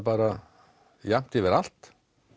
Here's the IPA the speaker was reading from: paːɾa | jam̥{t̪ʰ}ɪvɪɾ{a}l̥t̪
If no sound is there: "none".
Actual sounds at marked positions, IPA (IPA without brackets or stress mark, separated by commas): t̪, a